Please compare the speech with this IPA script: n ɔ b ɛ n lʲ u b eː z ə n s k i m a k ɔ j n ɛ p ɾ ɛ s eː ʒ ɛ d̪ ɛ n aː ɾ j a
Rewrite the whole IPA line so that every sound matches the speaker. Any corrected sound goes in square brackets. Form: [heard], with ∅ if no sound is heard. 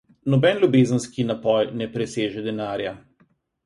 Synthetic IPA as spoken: n ɔ b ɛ n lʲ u b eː z ə n s k i [n] a [p] ɔ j n ɛ p ɾ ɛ s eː ʒ ɛ d̪ ɛ n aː ɾ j a